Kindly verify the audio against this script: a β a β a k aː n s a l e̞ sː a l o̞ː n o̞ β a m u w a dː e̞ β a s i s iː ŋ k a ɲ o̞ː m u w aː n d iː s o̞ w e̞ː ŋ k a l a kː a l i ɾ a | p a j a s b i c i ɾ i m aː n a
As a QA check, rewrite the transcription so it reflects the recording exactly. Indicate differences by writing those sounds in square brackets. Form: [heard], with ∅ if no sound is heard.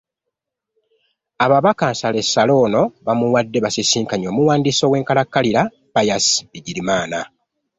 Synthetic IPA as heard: a β a β a k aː n s a l e̞ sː a l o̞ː n o̞ β a m u w a dː e̞ β a s i s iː ŋ k a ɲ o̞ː m u w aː n d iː s o̞ w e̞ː ŋ k a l a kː a l i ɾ a | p a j a s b i [ɟ] i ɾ i m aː n a